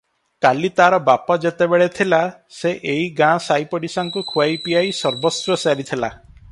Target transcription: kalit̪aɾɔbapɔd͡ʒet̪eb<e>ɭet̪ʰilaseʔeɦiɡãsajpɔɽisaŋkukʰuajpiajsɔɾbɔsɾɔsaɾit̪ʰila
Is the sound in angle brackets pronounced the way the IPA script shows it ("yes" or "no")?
yes